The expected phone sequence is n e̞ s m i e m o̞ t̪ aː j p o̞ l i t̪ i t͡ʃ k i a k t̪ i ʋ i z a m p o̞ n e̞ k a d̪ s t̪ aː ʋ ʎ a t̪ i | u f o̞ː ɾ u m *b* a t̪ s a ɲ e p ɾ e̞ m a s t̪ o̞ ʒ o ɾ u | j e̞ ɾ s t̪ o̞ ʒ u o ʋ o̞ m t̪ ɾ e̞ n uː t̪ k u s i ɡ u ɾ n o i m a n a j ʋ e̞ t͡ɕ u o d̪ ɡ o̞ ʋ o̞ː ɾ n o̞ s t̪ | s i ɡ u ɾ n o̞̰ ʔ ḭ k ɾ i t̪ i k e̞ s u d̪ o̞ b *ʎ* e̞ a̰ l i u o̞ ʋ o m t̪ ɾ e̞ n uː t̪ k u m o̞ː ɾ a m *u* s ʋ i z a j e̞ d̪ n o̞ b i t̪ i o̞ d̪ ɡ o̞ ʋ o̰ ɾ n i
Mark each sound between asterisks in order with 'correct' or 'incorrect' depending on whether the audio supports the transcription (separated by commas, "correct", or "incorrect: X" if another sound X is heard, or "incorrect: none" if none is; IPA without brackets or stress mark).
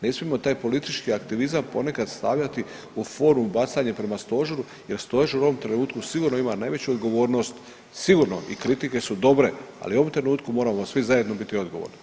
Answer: correct, incorrect: ɾ, incorrect: o